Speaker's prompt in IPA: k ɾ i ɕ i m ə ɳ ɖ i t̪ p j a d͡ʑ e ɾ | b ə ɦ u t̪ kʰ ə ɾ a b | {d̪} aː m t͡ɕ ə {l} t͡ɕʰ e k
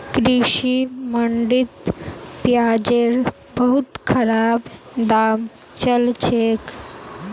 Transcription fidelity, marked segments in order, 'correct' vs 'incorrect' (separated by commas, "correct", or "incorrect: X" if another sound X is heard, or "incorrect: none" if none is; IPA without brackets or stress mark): correct, correct